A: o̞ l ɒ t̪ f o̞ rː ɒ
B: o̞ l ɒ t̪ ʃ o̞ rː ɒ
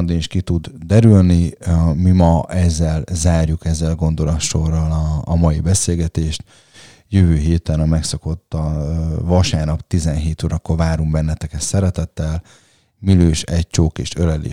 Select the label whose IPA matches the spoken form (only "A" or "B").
B